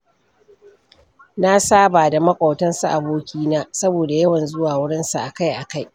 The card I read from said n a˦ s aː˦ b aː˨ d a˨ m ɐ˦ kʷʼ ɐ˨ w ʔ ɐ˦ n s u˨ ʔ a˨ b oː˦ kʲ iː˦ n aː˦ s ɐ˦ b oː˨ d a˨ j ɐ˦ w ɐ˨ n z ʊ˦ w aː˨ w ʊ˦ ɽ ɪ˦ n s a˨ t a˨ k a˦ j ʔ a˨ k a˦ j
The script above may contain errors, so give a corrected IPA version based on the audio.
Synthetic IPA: n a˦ s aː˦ b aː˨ d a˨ m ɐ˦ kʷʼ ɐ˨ w t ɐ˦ n s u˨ ʔ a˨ b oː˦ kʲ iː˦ n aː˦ s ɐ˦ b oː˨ d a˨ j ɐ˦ w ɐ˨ n z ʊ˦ w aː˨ w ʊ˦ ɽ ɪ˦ n s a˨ ʔ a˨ k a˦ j ʔ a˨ k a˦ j